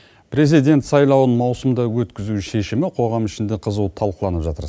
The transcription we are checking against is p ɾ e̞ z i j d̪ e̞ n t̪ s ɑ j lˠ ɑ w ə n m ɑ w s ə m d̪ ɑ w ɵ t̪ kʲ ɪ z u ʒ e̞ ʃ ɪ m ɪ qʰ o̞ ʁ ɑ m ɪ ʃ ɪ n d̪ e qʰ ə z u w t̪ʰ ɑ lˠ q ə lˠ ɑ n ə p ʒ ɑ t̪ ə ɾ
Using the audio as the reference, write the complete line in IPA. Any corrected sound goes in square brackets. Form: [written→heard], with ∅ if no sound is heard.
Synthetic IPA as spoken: p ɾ e̞ z i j d̪ e̞ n t̪ s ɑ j lˠ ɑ w ə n m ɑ w s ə m d̪ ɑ w ɵ t̪ kʲ ɪ z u [ʒ→ʃ] e̞ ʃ ɪ m ɪ qʰ o̞ ʁ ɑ m ɪ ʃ ɪ n d̪ e qʰ ə z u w t̪ʰ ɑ lˠ q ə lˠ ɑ n ə p ʒ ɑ t̪ ə ɾ

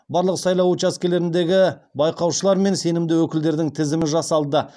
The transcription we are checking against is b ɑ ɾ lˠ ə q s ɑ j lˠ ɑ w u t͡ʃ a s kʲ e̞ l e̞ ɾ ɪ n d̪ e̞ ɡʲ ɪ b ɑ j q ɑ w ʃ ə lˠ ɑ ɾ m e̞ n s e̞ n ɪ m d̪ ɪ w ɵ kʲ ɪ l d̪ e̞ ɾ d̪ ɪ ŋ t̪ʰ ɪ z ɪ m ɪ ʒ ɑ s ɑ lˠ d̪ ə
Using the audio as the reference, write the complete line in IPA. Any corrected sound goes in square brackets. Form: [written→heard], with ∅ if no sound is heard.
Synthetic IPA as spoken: b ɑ ɾ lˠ ə q s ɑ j lˠ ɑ w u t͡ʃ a s kʲ e̞ l e̞ ɾ ɪ n d̪ e̞ ɡʲ ɪ b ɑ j q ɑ w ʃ ə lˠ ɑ ɾ m e̞ n s e̞ n ɪ m d̪ ɪ w ɵ kʲ ɪ l d̪ e̞ ɾ d̪ ɪ ŋ t̪ʰ ɪ z ɪ m ɪ ʒ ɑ s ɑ lˠ d̪ ə

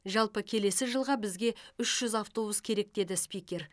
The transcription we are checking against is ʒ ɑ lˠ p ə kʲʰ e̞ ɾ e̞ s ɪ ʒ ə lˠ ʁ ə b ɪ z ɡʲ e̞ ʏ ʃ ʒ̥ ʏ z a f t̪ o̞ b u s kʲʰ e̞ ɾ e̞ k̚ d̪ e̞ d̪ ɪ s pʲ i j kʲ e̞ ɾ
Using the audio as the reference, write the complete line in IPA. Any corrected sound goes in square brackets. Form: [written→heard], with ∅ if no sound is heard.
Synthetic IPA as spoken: ʒ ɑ lˠ p ə kʲʰ e̞ [ɾ→l] e̞ s ɪ ʒ ə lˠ ʁ [ə→ɑ] b ɪ z ɡʲ e̞ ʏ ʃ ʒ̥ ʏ z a f t̪ o̞ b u s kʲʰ e̞ ɾ e̞ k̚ d̪ e̞ d̪ ɪ s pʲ i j kʲ e̞ ɾ

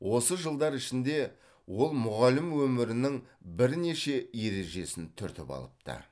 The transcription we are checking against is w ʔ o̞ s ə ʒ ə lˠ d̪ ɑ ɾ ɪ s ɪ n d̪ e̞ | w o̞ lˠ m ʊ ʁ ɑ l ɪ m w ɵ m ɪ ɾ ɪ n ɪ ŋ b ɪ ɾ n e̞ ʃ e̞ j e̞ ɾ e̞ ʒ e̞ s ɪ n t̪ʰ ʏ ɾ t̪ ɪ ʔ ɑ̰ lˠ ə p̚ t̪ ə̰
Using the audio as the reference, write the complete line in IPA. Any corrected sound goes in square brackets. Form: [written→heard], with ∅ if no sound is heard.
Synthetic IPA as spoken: w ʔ o̞ s ə ʒ ə lˠ d̪ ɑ ɾ ɪ [s→ʃ] ɪ n d̪ e̞ | w o̞ lˠ m ʊ ʁ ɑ l ɪ m w ɵ m ɪ ɾ ɪ n ɪ ŋ b ɪ ɾ n e̞ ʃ e̞ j e̞ ɾ e̞ ʒ e̞ s ɪ n t̪ʰ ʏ ɾ t̪ ɪ [ʔ→p] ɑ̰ lˠ ə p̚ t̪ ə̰

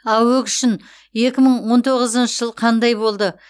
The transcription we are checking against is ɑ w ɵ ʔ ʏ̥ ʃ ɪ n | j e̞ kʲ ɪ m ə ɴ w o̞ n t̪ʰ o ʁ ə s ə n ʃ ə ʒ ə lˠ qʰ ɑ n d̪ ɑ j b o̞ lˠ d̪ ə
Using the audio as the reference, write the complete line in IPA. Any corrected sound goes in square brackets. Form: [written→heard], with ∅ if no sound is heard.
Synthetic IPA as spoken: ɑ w ɵ [ʔ→k] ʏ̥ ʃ ɪ n | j e̞ kʲ ɪ m ə ɴ w o̞ n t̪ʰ o ʁ ə [s→z] ə n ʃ ə ʒ ə lˠ qʰ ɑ n d̪ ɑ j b o̞ lˠ d̪ ə

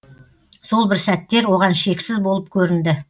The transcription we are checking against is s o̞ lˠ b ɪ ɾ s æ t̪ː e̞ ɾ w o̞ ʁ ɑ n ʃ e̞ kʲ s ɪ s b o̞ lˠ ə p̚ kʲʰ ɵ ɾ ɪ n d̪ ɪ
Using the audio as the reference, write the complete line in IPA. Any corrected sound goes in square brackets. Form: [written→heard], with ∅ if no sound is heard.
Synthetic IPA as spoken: s o̞ lˠ b ɪ ɾ s æ t̪ː e̞ ɾ w o̞ ʁ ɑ n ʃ e̞ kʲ s ɪ [s→z] b o̞ lˠ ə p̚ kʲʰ ɵ ɾ ɪ n d̪ ɪ

